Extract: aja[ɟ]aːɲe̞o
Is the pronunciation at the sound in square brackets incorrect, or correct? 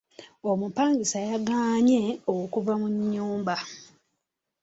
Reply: incorrect